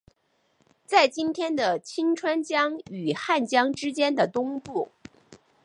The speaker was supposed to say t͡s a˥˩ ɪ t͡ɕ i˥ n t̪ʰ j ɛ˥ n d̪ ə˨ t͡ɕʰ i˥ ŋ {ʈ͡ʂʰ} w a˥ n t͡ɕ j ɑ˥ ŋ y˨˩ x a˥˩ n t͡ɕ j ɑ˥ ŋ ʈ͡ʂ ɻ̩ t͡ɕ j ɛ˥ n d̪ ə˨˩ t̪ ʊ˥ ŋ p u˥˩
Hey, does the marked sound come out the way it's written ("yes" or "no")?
yes